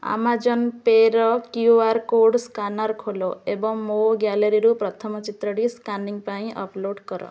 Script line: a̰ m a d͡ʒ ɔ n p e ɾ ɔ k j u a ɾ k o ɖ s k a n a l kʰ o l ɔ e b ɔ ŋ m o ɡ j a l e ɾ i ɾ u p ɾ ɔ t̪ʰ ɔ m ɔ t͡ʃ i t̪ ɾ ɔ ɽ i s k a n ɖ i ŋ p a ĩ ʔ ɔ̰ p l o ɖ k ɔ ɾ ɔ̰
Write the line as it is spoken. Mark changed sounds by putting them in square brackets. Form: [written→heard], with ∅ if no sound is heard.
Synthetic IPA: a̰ m a d͡ʒ ɔ n p e ɾ ɔ k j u a ɾ k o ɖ s k a n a [l→ɾ] kʰ o l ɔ e b ɔ ŋ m o ɡ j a l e ɾ i ɾ u p ɾ ɔ t̪ʰ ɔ m ɔ t͡ʃ i t̪ ɾ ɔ ɽ i s k a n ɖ i ŋ p a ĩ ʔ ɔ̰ p l o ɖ k ɔ ɾ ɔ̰